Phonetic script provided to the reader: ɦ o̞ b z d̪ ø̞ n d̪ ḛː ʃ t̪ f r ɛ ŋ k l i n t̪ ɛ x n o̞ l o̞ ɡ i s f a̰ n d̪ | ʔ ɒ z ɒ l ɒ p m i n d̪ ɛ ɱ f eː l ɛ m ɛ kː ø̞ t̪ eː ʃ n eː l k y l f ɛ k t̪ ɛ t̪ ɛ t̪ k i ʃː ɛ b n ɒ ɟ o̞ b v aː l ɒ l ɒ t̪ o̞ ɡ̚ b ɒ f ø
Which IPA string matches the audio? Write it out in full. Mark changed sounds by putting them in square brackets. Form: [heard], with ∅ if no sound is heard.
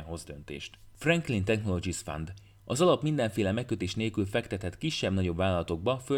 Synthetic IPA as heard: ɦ o̞ [∅] z d̪ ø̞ n [t̪] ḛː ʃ t̪ f r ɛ ŋ k l i n t̪ ɛ x n o̞ l o̞ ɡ i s f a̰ n d̪ | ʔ ɒ z ɒ l ɒ p m i n d̪ ɛ ɱ f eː l ɛ m ɛ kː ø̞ t̪ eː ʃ n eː l k y l f ɛ k t̪ ɛ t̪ ɛ t̪ k i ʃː ɛ b n ɒ ɟ o̞ b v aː l ɒ l ɒ t̪ o̞ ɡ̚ b ɒ f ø